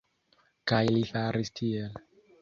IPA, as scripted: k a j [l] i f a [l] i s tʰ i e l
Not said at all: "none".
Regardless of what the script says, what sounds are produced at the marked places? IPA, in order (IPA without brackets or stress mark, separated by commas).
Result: l, ɾ